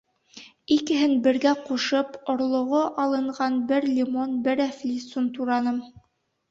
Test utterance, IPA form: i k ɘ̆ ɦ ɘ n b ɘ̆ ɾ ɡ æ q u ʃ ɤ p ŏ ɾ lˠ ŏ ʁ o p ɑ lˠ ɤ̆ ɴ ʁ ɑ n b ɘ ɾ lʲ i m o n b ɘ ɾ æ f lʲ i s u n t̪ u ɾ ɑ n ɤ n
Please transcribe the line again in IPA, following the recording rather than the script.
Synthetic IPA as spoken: i k ɘ̆ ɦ ɘ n b ɘ̆ ɾ ɡ æ q u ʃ ɤ p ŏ ɾ lˠ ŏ ʁ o ʔ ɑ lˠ ɤ̆ ɴ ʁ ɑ n b ɘ ɾ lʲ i m o n b ɘ ɾ æ f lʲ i s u n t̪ u ɾ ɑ n ɤ m